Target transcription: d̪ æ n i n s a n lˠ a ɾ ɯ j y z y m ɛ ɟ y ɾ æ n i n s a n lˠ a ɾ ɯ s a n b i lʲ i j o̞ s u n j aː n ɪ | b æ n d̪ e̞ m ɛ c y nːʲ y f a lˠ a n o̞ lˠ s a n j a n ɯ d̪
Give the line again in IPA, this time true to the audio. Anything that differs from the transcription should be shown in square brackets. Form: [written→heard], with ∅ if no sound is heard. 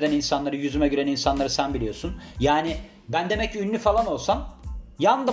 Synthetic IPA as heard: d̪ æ n i n s a n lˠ a ɾ ɯ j y z y m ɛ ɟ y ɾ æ n i n s a n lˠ a ɾ ɯ s [a→æ] n b i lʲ i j o̞ s u n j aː n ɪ | b æ n d̪ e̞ m ɛ c y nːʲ y f a lˠ a n o̞ lˠ s a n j a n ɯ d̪